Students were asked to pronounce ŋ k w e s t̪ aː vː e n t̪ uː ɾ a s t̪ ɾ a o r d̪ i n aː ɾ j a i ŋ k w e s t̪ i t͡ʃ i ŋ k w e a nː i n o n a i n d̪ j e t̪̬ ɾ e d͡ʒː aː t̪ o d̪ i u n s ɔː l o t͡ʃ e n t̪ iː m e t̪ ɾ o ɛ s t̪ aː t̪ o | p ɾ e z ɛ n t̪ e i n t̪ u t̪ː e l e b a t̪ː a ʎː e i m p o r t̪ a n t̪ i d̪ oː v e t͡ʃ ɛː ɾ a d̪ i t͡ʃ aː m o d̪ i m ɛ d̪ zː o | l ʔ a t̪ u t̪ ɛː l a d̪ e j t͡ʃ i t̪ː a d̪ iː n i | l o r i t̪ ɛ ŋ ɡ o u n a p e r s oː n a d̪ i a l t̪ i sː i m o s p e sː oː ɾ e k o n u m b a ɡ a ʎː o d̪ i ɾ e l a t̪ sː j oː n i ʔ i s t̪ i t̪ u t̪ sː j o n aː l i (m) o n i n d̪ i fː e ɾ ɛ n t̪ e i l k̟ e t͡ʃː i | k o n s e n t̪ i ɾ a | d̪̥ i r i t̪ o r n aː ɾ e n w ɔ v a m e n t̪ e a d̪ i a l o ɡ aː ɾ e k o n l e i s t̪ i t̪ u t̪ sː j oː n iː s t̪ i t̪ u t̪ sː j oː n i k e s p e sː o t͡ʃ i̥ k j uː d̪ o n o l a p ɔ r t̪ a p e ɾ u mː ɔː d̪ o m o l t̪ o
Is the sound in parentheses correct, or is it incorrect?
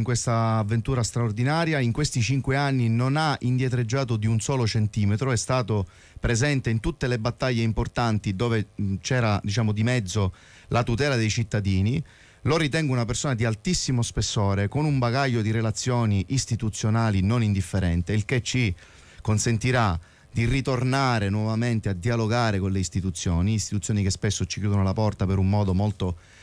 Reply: incorrect: n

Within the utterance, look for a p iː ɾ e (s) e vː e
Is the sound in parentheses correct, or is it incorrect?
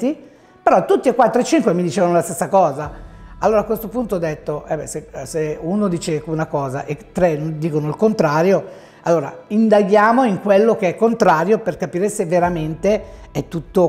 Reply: correct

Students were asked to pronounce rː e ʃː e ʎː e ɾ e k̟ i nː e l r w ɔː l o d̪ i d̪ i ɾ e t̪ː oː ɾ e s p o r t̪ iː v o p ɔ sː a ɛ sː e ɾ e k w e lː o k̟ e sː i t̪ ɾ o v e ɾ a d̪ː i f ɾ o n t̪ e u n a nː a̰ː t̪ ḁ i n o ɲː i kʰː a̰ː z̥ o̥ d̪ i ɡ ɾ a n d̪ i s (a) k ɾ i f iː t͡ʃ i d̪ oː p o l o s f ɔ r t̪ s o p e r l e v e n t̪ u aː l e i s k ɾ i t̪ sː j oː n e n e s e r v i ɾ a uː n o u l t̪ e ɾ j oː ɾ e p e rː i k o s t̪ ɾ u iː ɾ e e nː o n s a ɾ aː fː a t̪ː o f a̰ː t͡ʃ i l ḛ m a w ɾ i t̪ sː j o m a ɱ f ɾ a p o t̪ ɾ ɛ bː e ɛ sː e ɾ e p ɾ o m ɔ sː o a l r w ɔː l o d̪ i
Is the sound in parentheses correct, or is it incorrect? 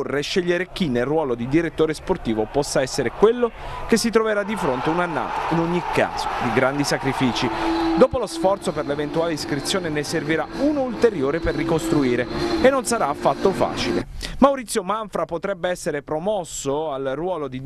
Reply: correct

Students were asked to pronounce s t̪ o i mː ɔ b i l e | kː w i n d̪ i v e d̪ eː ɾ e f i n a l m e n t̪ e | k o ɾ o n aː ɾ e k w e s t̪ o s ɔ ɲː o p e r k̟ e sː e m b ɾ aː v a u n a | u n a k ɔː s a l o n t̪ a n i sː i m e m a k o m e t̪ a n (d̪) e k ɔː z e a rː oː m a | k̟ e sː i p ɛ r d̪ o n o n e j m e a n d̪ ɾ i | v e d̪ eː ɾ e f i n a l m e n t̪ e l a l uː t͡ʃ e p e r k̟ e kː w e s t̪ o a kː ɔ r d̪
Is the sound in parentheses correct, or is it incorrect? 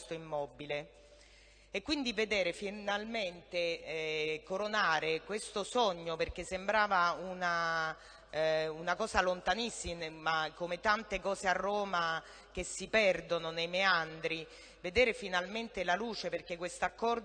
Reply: incorrect: t̪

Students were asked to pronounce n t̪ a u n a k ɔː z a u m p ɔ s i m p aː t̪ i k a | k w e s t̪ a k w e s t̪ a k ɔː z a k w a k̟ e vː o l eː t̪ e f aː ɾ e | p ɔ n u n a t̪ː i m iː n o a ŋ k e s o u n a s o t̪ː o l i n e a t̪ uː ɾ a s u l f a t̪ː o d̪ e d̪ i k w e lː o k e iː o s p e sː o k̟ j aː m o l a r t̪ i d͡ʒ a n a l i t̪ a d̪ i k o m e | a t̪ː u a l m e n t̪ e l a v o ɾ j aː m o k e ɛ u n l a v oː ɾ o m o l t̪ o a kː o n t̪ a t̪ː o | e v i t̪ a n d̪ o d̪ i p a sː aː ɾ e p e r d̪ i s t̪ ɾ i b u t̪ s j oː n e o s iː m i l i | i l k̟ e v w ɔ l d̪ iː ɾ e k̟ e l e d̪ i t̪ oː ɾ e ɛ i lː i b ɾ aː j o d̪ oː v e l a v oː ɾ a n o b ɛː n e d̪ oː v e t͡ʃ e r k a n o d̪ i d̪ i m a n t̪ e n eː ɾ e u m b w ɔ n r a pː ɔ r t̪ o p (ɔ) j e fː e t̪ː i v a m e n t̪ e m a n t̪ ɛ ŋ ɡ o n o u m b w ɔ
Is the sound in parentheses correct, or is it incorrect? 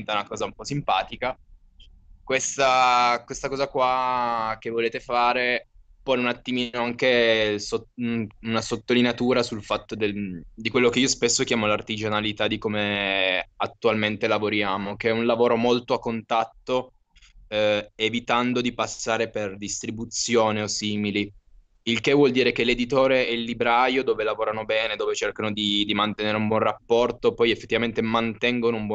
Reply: correct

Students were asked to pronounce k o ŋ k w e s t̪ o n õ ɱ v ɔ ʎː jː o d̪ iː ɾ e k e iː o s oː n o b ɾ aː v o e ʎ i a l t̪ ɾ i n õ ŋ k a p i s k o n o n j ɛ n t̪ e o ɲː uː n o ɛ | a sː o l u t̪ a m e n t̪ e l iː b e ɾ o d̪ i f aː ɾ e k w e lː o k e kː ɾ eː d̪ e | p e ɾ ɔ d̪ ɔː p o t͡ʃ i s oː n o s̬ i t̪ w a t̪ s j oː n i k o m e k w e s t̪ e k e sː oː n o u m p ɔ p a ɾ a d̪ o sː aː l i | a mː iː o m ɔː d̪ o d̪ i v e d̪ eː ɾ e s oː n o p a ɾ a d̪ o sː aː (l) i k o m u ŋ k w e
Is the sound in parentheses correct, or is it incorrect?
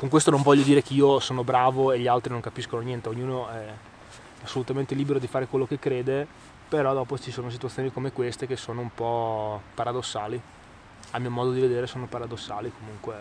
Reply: correct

